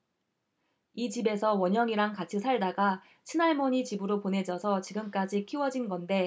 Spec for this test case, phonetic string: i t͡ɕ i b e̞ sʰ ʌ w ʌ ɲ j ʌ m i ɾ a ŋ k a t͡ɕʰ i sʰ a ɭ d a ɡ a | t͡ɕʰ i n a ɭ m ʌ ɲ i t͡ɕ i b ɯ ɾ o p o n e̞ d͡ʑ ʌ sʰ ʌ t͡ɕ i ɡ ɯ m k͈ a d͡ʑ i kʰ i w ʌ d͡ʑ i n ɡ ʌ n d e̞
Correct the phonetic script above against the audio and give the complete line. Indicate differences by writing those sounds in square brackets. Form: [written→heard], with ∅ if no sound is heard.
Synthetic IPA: i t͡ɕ i b e̞ sʰ ʌ w ʌ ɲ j ʌ [m→ŋ] i ɾ a ŋ k a t͡ɕʰ i sʰ a ɭ d a ɡ a | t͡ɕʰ i n a ɭ m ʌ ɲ i t͡ɕ i b ɯ ɾ o p o n e̞ d͡ʑ ʌ sʰ ʌ t͡ɕ i ɡ ɯ m k͈ a d͡ʑ i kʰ i w ʌ d͡ʑ i n ɡ ʌ n d e̞